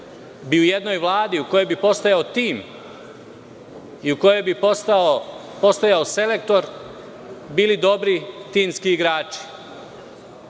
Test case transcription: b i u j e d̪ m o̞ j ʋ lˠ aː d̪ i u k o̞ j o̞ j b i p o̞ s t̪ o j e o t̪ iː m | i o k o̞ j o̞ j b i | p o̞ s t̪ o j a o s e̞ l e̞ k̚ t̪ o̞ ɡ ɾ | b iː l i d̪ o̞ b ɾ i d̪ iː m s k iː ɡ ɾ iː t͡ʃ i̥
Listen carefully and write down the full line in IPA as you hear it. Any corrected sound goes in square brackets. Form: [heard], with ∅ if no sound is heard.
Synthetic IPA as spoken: b i u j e d̪ [n] o̞ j ʋ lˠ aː d̪ i u k o̞ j o̞ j b i p o̞ s t̪ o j [a] o t̪ iː m | i [u] k o̞ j o̞ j b i | p o̞ s t̪ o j a o s e̞ l e̞ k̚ t̪ o̞ [∅] ɾ | b iː l i d̪ o̞ b ɾ i [t̪] iː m s k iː ɡ ɾ [aː] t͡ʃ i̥